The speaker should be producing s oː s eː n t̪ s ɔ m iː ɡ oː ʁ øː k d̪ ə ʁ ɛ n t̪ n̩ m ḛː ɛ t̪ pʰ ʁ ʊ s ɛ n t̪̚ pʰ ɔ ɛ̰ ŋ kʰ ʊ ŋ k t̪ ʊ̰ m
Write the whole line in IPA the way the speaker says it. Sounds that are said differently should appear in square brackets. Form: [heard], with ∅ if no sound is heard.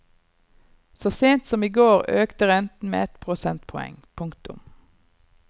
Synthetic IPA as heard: s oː s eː n t̪ s ɔ m iː ɡ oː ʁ øː k [t̪] ə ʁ ɛ n t̪ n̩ m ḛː ɛ t̪ pʰ ʁ ʊ s ɛ n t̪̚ pʰ ɔ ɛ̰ ŋ [pʰ] ʊ ŋ k t̪ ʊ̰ m